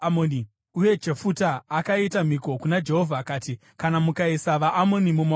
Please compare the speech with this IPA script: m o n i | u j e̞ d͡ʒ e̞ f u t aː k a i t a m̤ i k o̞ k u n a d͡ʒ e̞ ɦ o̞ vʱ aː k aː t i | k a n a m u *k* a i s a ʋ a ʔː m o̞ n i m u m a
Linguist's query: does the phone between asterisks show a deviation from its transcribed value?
no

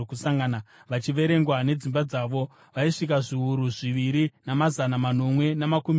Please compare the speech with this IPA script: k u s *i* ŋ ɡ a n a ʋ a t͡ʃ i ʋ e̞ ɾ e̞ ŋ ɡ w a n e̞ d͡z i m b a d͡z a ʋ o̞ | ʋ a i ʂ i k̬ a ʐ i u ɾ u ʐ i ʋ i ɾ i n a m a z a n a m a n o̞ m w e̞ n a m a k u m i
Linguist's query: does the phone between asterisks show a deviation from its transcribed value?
yes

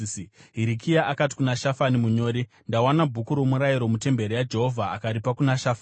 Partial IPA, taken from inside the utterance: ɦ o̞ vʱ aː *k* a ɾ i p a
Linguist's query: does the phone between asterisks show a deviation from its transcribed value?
no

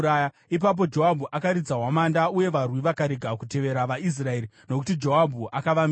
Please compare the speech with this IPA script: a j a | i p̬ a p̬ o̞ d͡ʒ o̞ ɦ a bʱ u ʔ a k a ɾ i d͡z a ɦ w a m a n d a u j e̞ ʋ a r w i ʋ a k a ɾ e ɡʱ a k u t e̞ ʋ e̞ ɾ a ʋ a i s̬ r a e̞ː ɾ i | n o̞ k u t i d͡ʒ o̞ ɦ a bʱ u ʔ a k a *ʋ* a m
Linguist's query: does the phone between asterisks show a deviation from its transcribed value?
no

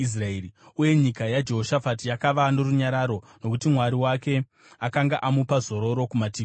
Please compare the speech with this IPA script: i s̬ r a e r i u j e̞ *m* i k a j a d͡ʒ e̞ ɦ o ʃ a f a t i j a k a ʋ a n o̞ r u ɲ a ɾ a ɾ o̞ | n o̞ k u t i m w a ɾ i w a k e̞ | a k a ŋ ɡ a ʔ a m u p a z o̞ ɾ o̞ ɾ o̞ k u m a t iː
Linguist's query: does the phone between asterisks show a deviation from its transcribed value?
yes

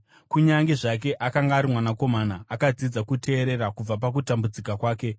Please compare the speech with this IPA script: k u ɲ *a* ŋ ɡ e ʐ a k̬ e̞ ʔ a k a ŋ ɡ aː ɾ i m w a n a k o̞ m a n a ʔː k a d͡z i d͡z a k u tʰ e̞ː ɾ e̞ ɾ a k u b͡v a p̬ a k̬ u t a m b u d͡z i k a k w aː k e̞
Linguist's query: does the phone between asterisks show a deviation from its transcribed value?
no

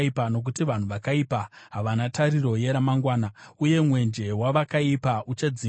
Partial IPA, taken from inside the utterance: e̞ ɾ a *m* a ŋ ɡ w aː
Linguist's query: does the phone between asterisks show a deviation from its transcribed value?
no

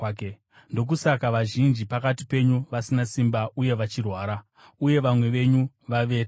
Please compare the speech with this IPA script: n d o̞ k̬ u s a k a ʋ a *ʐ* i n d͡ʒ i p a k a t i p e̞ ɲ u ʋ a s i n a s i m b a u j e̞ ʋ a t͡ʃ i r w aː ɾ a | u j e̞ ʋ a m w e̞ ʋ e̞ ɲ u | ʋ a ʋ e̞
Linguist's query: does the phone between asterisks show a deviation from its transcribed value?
yes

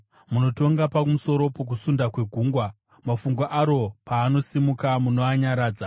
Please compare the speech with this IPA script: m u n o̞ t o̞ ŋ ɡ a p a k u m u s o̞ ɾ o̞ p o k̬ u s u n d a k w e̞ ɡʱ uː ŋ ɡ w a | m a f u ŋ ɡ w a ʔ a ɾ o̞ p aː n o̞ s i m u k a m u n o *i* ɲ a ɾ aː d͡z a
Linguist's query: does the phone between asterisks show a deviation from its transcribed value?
yes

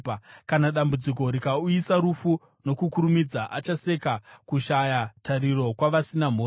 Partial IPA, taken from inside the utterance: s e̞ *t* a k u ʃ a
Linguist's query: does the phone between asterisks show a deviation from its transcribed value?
yes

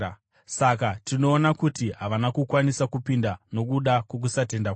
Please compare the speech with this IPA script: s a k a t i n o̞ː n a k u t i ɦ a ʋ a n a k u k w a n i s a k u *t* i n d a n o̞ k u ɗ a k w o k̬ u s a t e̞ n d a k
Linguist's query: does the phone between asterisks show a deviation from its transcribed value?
yes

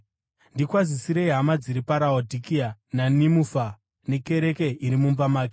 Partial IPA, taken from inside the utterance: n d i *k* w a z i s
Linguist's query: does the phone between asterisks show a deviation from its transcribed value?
no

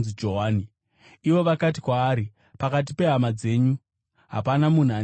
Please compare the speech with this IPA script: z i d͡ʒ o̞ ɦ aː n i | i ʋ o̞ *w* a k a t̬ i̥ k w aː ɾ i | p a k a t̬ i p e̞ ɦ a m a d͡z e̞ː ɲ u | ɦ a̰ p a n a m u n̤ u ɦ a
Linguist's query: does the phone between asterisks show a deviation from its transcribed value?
yes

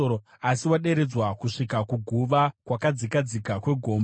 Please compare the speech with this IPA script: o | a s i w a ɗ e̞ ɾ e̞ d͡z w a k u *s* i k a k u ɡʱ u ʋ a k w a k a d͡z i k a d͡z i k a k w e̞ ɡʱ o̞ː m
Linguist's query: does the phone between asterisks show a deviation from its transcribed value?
yes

